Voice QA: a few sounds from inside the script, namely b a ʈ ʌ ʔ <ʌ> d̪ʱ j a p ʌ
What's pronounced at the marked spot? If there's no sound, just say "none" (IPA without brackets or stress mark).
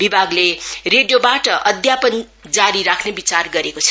ʌ